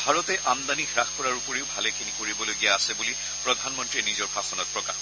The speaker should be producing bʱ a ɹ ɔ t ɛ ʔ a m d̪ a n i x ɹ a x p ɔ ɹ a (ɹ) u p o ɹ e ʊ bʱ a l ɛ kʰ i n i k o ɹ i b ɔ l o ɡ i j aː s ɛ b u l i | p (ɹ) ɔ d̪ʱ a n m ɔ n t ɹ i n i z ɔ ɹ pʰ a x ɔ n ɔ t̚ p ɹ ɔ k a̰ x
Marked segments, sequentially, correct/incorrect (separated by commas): correct, correct